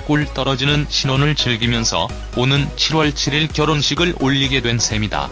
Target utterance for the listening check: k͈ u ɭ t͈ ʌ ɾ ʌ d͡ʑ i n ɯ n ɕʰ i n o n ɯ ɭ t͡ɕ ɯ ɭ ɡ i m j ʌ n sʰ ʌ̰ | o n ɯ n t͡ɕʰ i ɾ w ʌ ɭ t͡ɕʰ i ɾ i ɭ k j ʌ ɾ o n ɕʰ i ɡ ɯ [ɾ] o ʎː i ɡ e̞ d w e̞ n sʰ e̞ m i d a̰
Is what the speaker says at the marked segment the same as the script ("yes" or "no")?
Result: no